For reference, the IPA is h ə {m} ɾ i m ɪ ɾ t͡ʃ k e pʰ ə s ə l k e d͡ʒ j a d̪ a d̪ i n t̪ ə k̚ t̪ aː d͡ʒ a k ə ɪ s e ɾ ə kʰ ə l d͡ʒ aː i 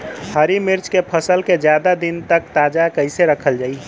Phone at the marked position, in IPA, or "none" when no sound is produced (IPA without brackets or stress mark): none